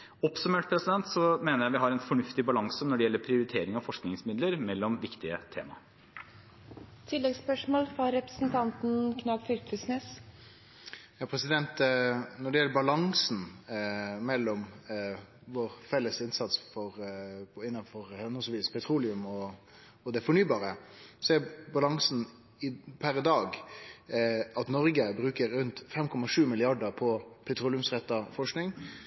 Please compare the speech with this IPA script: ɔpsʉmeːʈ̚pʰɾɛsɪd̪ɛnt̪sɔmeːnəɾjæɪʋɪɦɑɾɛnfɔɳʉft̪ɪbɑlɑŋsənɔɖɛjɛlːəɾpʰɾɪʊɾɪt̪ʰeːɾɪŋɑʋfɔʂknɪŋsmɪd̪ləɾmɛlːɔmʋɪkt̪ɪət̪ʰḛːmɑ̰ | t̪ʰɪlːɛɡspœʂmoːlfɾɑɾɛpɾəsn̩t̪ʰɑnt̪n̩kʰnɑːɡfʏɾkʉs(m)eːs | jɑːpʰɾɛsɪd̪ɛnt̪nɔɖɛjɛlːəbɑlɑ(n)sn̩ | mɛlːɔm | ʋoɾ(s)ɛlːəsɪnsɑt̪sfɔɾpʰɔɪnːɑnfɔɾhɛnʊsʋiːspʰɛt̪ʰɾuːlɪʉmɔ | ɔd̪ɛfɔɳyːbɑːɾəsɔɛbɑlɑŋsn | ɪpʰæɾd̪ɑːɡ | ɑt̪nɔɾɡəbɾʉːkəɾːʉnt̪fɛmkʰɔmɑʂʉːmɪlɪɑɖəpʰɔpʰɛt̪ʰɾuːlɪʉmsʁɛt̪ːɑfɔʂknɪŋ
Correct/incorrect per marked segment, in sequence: incorrect, incorrect, incorrect

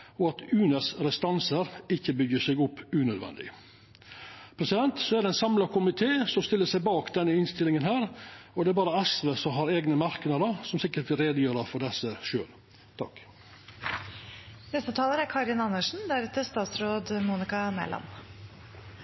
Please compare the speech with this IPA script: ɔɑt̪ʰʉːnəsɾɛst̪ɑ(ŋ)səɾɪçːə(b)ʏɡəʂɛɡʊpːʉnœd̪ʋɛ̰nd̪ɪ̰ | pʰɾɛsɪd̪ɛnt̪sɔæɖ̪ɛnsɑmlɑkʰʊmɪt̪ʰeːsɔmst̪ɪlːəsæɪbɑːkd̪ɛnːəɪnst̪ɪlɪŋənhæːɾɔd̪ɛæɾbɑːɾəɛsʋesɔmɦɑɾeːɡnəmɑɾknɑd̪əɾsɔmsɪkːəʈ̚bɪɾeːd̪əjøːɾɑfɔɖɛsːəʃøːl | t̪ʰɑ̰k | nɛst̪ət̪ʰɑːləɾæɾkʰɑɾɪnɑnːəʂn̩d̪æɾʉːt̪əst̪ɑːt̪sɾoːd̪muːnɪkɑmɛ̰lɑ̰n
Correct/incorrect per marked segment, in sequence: incorrect, correct

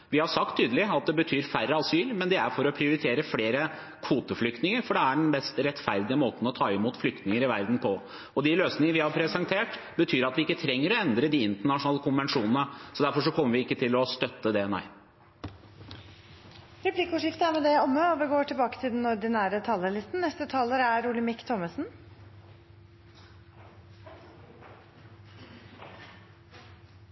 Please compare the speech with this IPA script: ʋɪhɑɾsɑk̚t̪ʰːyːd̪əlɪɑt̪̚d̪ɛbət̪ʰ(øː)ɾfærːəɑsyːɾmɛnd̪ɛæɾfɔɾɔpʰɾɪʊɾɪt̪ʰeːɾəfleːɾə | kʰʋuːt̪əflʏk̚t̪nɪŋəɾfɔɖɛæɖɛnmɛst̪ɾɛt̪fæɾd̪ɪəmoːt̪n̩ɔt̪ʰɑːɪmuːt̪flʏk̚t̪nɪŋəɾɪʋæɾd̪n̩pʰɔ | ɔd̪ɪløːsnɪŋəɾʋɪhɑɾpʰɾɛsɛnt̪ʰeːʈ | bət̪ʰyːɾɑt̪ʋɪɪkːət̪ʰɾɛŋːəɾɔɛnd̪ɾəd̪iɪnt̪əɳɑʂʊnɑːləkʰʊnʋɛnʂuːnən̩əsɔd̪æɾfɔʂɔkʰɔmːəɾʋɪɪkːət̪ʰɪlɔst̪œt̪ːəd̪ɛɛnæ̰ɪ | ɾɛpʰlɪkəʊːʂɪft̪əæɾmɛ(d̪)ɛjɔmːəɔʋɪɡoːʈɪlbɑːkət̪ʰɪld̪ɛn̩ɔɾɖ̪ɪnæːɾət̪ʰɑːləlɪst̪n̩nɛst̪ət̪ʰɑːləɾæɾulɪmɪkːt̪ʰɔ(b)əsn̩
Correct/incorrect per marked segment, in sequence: incorrect, correct, incorrect

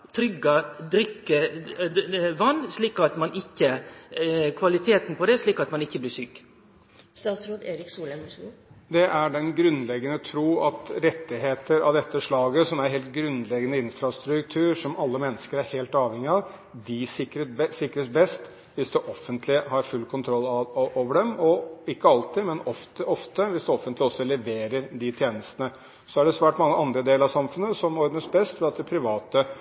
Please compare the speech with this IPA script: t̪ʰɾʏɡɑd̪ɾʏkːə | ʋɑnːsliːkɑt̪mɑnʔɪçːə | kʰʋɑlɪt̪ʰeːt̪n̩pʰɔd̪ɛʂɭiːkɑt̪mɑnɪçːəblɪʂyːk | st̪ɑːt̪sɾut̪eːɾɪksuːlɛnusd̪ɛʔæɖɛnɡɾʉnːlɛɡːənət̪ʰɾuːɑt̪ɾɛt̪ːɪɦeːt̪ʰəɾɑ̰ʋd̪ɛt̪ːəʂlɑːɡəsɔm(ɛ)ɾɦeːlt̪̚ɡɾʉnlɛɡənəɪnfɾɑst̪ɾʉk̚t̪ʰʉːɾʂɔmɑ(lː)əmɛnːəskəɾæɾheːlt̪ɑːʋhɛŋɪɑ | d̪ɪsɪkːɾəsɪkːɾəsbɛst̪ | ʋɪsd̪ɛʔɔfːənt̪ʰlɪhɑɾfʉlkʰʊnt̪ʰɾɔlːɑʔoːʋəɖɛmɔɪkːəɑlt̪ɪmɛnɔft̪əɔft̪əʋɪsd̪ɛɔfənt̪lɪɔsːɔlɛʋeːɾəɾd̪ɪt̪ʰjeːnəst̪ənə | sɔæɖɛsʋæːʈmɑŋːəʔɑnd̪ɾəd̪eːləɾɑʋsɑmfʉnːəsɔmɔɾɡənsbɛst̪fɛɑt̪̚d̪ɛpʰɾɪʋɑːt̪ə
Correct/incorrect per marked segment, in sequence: incorrect, correct

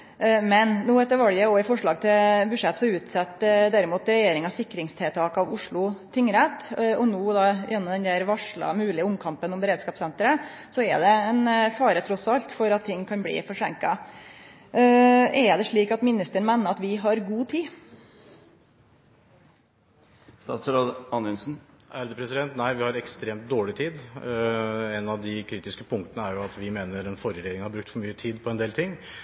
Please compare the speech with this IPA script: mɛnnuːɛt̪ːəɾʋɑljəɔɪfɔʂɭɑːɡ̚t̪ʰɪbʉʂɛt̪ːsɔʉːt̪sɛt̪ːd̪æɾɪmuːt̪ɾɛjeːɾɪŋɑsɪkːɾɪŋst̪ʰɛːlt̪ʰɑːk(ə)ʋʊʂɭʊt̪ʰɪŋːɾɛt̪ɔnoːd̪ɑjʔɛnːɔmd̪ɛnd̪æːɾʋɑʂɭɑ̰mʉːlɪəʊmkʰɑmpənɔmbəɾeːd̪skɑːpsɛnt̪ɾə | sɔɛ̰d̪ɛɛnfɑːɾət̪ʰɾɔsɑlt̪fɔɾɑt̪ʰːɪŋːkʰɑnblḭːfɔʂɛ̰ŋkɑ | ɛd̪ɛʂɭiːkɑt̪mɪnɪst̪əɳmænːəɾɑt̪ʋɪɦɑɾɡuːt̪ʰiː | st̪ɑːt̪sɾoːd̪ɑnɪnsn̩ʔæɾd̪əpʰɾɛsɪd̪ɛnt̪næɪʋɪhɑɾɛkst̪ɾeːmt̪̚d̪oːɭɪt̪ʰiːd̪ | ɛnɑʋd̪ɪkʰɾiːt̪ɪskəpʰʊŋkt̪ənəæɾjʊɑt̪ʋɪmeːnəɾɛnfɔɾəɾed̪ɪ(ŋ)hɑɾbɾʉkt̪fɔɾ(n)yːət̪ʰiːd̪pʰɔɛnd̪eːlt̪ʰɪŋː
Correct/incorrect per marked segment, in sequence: incorrect, correct, incorrect

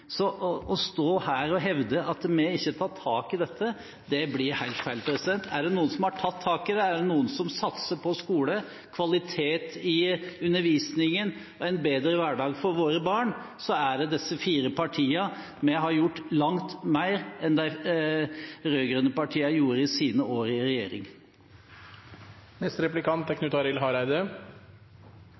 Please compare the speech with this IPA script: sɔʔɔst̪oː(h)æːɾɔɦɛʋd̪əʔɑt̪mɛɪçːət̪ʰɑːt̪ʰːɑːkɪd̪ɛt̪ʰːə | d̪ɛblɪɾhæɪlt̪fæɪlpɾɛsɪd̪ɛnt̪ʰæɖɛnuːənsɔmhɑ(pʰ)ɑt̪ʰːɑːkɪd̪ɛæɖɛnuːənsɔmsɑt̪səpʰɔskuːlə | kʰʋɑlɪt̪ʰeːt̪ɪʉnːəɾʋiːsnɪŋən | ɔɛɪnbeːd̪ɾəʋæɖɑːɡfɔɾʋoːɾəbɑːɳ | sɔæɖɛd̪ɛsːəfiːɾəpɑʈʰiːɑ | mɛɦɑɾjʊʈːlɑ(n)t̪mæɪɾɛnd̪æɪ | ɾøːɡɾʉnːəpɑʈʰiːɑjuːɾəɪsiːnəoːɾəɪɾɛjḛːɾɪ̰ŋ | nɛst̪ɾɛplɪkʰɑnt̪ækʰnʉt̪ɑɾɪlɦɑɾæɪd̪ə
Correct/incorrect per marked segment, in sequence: correct, incorrect, incorrect

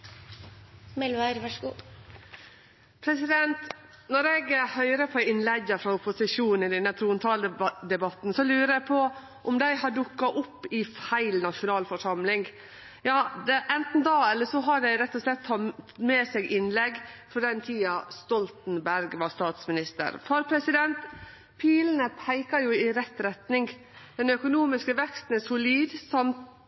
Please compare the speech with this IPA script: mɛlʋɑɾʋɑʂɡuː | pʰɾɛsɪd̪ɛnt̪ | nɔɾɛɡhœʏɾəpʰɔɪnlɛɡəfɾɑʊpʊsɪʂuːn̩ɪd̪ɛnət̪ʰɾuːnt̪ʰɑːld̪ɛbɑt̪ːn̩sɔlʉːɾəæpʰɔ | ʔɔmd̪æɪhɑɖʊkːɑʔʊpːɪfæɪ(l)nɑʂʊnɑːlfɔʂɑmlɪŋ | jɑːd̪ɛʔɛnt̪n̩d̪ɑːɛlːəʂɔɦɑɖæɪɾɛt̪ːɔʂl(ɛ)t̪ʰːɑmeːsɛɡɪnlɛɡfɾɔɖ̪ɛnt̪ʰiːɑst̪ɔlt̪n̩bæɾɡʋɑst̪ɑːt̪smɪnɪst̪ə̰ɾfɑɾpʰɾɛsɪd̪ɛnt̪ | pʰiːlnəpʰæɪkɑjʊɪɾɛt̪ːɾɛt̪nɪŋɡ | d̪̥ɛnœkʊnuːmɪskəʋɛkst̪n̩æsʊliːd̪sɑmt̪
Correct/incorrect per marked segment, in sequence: correct, correct

